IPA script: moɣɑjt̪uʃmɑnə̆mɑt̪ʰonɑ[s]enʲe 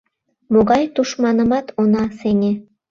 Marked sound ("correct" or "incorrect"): correct